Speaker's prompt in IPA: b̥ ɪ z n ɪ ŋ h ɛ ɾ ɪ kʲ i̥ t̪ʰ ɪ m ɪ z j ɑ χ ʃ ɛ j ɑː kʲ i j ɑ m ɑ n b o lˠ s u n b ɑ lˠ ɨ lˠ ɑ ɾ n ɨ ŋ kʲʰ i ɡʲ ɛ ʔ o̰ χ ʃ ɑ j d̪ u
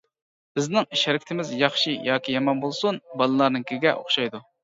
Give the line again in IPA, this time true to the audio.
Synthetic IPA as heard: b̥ ɪ z n ɪ ŋ ʃ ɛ ɾ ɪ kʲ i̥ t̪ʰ ɪ m ɪ z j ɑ χ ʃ i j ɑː kʲ i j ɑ m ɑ n b o lˠ s u n b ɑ lˠ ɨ lˠ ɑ ɾ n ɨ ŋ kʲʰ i ɡʲ ɛ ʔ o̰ χ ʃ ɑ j d̪ u